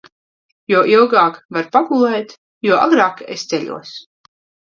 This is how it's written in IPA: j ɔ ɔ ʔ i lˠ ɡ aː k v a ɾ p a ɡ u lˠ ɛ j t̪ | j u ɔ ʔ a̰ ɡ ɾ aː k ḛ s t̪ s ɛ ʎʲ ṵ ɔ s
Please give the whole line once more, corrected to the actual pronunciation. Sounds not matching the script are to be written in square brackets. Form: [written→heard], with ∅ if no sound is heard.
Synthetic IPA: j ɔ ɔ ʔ i lˠ ɡ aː k v a ɾ p a ɡ u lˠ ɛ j t̪ | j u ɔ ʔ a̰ ɡ ɾ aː k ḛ s t̪ s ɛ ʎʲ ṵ ɔ s